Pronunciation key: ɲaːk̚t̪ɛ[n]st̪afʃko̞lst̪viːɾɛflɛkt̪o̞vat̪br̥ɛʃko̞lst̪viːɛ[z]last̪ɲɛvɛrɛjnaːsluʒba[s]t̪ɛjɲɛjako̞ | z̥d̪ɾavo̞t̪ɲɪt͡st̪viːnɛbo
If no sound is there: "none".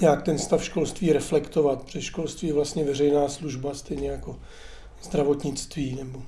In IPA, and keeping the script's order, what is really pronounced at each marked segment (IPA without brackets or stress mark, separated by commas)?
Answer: n, v, s